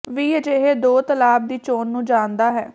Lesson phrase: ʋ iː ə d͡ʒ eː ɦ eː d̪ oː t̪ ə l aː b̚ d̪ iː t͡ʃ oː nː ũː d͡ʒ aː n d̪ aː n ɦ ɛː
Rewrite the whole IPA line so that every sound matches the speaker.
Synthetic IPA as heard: ʋ iː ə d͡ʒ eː ɦ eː d̪ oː t̪ ə l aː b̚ d̪ iː t͡ʃ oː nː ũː d͡ʒ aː n d̪ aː ɦ ɛː

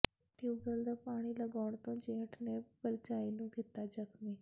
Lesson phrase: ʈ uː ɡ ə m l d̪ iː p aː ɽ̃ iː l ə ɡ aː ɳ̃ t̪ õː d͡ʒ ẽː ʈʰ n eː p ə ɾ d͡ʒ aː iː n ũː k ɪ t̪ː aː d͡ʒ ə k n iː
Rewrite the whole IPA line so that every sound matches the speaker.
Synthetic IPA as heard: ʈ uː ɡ ə l d̪ aː p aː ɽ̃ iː l ə ɡ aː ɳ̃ t̪ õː d͡ʒ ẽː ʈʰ n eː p ə ɾ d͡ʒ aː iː n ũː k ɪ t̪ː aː d͡ʒ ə k m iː

